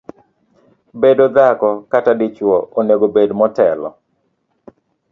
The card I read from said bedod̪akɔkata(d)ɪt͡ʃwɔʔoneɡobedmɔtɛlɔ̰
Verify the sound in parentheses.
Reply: correct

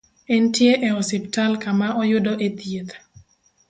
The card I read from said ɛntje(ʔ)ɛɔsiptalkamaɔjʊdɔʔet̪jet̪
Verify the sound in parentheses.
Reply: correct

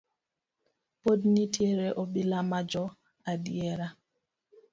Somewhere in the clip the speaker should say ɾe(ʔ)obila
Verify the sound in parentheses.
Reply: correct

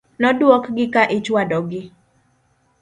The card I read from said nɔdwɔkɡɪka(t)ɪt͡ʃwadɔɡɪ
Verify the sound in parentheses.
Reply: incorrect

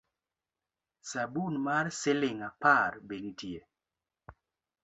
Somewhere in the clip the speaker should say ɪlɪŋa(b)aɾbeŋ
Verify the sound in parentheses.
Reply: incorrect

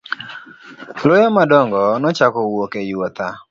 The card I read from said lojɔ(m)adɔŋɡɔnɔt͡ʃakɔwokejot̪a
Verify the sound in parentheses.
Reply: correct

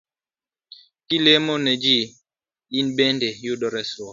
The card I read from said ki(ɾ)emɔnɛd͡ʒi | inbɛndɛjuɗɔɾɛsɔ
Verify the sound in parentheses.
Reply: incorrect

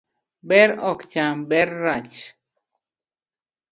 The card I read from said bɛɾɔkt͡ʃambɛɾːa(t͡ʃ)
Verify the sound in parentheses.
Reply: correct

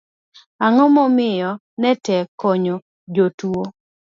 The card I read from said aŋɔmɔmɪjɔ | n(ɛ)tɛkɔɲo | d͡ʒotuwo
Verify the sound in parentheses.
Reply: correct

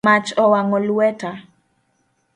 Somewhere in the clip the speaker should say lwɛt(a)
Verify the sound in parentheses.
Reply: correct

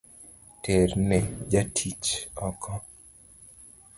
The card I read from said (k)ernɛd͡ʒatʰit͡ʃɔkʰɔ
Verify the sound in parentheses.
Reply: incorrect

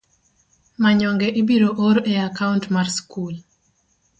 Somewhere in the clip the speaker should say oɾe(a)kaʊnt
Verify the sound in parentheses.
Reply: correct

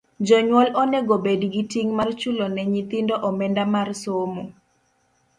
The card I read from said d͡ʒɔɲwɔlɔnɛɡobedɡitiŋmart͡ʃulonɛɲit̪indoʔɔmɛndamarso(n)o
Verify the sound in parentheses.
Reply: incorrect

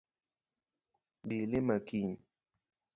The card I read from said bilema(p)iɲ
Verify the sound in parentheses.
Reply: incorrect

